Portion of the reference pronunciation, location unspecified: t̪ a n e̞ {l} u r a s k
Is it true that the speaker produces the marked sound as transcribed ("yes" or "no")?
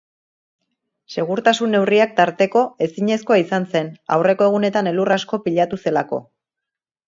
yes